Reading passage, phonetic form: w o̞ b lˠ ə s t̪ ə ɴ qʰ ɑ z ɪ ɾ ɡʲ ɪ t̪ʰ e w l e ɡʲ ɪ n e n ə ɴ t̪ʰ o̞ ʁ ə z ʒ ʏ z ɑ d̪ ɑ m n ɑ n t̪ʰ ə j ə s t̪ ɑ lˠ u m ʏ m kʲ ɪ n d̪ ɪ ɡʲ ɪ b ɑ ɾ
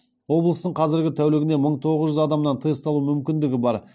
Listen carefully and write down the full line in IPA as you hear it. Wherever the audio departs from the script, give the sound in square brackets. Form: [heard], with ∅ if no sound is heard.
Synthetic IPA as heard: w o̞ b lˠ ə s t̪ ə ɴ qʰ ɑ z ɪ ɾ ɡʲ ɪ t̪ʰ [æ] w l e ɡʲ ɪ n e [m] ə ɴ t̪ʰ o̞ ʁ ə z ʒ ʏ z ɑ d̪ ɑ m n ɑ n t̪ʰ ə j ə s t̪ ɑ lˠ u m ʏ m kʲ ɪ n d̪ ɪ ɡʲ ɪ b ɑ ɾ